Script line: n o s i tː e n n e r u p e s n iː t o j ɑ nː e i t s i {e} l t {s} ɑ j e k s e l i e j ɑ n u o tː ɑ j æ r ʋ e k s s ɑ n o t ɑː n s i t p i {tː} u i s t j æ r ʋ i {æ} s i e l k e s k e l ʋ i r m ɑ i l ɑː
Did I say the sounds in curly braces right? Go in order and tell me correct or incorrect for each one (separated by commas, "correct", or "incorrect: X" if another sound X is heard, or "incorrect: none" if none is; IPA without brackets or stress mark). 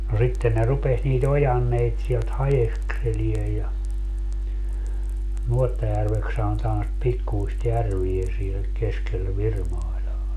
correct, incorrect: h, incorrect: kː, incorrect: e